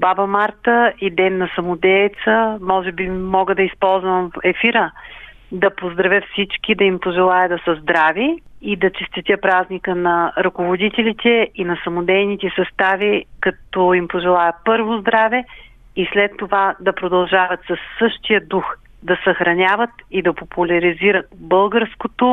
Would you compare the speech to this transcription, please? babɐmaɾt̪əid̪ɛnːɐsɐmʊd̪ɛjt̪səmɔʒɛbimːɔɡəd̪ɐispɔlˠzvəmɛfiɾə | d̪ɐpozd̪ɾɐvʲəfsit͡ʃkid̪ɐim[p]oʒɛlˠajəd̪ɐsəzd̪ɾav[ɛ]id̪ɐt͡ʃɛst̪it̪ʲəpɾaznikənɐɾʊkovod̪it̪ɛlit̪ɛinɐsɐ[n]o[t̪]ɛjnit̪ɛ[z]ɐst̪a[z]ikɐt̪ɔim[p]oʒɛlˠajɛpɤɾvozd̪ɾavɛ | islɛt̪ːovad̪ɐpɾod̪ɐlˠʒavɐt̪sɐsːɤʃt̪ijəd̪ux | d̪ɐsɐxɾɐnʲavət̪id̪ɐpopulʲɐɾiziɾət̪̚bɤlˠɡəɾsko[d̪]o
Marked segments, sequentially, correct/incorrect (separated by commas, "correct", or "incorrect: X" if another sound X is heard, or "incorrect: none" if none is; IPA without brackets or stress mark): correct, incorrect: i, incorrect: m, incorrect: d̪, incorrect: s, incorrect: v, correct, incorrect: t̪